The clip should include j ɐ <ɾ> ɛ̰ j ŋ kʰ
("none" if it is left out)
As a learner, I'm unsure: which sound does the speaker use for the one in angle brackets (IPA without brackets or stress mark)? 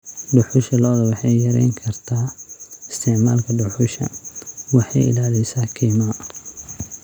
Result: ɾ